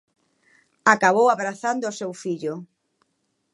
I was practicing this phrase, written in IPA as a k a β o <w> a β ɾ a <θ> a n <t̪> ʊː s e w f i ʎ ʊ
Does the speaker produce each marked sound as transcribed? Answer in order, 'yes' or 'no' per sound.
yes, yes, no

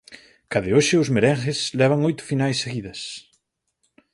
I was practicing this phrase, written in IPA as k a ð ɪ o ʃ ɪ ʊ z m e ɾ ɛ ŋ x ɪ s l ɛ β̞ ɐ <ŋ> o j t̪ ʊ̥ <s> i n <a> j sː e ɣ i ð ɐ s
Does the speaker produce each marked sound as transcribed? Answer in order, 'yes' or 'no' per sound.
yes, no, yes

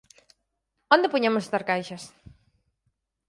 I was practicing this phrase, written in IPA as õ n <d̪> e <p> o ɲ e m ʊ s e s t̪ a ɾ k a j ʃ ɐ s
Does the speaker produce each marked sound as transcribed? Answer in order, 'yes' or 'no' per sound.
yes, yes

